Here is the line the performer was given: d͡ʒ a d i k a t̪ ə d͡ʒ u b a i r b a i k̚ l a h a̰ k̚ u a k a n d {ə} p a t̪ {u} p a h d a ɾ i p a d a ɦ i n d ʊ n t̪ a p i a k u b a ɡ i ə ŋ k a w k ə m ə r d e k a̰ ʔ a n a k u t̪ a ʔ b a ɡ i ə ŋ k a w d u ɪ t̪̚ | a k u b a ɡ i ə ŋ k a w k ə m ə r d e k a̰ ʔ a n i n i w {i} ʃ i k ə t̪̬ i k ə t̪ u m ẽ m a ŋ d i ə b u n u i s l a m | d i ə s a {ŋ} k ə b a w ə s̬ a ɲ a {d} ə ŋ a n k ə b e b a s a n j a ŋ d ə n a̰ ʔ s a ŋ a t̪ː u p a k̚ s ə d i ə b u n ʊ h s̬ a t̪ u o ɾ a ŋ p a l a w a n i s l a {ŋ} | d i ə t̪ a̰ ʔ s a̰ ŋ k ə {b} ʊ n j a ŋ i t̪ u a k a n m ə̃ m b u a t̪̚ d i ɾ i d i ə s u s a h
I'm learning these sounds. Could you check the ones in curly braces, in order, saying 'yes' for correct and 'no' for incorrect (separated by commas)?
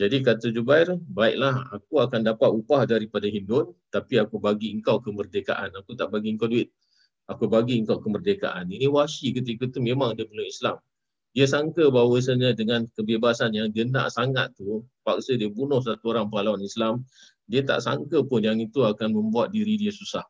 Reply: no, yes, no, yes, yes, no, no